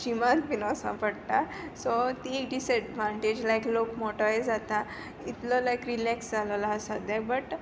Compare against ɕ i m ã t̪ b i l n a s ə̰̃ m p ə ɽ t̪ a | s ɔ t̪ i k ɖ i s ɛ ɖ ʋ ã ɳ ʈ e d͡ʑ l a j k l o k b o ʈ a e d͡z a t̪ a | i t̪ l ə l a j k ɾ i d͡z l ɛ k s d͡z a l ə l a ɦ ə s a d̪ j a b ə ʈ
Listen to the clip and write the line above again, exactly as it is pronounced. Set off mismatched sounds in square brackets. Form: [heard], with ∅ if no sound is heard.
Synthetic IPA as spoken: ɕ i m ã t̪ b i [∅] n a s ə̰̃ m p ə ɽ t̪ a | s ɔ t̪ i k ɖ i s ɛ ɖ ʋ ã ɳ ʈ e d͡ʑ l a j k l o k [m] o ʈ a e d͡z a t̪ a | i t̪ l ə l a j k ɾ i [∅] l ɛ k s d͡z a l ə l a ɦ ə s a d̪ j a b ə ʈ